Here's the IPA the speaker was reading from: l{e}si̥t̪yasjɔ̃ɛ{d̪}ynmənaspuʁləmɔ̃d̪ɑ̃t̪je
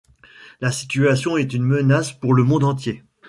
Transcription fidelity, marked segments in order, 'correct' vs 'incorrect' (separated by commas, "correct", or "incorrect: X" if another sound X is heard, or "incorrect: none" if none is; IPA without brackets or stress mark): incorrect: a, incorrect: t̪